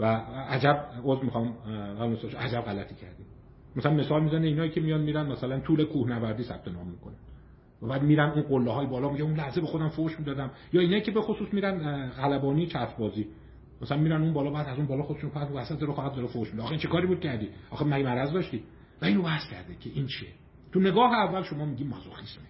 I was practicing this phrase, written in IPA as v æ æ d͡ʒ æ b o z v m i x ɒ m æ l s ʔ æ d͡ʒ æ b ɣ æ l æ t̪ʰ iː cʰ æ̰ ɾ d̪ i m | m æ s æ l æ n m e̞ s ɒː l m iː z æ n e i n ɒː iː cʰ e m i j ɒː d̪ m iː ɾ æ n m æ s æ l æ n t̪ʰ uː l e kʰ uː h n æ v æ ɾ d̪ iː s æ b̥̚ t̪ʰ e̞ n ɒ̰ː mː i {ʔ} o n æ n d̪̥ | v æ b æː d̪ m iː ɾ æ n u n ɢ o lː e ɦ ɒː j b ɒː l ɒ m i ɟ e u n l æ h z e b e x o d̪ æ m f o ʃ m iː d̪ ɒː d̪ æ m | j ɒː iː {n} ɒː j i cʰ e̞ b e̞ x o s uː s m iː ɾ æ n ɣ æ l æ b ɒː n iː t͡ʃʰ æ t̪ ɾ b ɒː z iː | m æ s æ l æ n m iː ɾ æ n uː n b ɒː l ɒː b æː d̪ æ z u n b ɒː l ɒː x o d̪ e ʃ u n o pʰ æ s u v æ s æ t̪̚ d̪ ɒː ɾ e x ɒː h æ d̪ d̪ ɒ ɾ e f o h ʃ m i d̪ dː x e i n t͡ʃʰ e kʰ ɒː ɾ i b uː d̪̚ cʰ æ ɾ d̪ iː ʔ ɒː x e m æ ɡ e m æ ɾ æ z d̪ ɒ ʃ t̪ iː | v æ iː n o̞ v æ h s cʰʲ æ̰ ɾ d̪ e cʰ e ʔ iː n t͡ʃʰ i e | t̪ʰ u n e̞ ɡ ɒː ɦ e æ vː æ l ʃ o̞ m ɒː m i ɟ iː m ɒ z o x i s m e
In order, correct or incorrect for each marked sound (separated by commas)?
incorrect, correct